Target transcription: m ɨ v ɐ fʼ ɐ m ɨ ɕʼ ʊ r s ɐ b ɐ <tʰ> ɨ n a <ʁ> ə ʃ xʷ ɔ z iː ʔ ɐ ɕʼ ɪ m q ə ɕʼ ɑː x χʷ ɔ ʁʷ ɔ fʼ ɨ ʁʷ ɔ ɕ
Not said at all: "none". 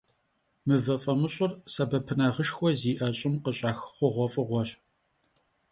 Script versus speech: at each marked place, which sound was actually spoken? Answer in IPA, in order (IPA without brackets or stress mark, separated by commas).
pʰ, ʁ